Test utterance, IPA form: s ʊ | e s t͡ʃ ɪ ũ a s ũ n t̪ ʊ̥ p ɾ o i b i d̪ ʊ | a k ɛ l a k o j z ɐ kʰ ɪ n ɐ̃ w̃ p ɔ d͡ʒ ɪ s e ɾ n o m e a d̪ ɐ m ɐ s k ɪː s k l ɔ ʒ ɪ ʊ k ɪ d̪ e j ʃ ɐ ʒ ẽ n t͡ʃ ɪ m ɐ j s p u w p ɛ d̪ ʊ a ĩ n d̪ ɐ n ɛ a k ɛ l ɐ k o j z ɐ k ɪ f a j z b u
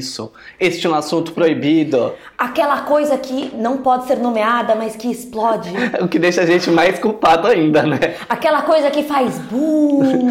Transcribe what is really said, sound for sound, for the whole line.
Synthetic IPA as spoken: s ʊ | e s t͡ʃ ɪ ũ a s ũ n t̪ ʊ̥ p ɾ o i b i d̪ ʊ | a k ɛ l ɐ k o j z ɐ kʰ ɪ n ɐ̃ w̃ p ɔ d͡ʒ ɪ s e ɾ n o m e a d̪ ɐ m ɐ s k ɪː s p l ɔ d͡ʒ ɪ ʊ k ɪ d̪ e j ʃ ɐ ʒ ẽ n t͡ʃ ɪ m a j s k u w p a d̪ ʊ a ĩ n d̪ ɐ n ɛ a k ɛ l ɐ k o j z ɐ k ɪ f a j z b u